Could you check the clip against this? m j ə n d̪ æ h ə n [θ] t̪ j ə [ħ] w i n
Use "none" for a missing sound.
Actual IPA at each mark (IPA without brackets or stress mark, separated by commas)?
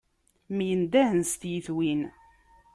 s, θ